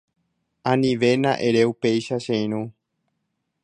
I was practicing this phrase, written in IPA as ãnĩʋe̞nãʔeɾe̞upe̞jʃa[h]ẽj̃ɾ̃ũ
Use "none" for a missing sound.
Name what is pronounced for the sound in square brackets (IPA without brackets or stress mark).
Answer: ʃ